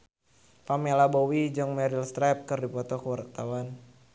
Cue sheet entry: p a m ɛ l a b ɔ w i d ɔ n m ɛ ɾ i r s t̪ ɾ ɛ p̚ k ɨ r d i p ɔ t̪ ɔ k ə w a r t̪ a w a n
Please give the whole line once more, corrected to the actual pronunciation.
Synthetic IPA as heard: p a m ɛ l a b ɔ w i d͡ʒ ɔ ŋ m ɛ ɾ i l s t̪ ɾ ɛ p̚ k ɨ r d i p ɔ t̪ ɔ k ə w a r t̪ a w a n